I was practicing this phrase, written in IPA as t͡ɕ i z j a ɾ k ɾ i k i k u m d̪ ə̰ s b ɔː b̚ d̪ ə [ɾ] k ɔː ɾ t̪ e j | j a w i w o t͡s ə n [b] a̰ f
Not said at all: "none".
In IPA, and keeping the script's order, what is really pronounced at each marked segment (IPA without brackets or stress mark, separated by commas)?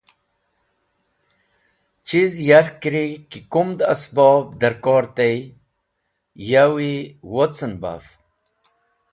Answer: ɾ, b